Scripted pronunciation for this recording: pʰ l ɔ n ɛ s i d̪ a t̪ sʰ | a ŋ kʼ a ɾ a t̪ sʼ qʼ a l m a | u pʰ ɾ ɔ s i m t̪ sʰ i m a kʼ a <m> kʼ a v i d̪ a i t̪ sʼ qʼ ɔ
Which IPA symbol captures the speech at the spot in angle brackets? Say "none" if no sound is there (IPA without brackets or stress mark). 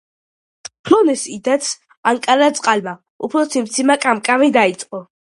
m